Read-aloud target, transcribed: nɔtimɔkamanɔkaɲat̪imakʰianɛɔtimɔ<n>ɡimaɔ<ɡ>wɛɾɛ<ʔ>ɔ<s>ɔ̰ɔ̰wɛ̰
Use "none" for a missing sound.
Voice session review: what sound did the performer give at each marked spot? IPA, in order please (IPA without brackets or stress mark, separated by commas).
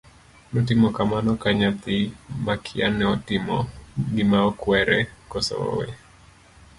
none, k, k, s